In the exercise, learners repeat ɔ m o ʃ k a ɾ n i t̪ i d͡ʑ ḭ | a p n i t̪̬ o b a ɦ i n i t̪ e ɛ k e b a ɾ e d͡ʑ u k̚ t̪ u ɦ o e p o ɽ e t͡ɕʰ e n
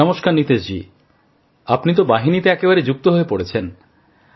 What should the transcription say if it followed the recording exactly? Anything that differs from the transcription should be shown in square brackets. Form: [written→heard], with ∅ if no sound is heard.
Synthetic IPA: ɔ m o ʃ k a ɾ n i t̪ [i→e] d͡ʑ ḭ | a p n i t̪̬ o b a ɦ i n i t̪ e ɛ k e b a ɾ e d͡ʑ u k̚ t̪ [u→o] ɦ o e p o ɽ e t͡ɕʰ e n